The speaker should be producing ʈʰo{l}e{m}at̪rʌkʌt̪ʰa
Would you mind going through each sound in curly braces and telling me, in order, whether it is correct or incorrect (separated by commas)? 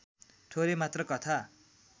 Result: incorrect, correct